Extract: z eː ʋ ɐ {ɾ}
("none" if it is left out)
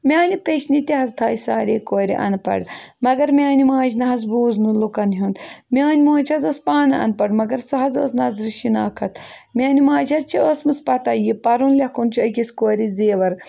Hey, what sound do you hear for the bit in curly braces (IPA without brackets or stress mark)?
ɾ